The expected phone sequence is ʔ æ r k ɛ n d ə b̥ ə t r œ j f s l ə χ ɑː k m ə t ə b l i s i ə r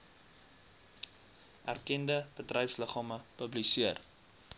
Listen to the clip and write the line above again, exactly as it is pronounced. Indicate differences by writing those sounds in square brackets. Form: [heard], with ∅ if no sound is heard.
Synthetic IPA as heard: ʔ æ r k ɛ n d ə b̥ ə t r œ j f s l ə χ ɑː [∅] m ə [p] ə b l i s i ə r